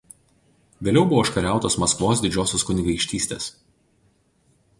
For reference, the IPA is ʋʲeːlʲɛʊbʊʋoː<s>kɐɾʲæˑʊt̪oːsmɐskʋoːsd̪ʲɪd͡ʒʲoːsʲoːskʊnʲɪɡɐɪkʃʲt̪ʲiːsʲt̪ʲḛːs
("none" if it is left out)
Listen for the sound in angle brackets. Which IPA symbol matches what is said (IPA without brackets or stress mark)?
ʃ